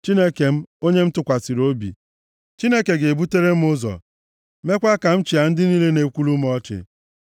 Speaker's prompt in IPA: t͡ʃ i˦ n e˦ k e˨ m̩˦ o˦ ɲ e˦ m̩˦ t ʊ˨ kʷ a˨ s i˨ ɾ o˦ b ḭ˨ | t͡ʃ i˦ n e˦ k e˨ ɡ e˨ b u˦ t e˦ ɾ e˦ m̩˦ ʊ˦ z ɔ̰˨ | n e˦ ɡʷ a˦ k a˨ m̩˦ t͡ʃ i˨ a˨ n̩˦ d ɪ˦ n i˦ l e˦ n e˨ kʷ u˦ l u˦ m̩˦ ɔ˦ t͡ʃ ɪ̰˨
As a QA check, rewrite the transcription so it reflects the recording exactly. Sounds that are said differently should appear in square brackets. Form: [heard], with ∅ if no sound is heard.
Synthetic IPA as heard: t͡ʃ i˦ n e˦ k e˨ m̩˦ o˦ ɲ e˦ m̩˦ t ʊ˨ kʷ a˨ s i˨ ɾ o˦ b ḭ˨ | t͡ʃ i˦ n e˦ k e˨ ɡ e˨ b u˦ t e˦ ɾ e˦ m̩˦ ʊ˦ z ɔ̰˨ | [m] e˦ [kʷ] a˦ k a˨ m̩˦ t͡ʃ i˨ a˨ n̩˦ d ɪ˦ n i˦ l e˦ n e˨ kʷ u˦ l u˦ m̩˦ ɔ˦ t͡ʃ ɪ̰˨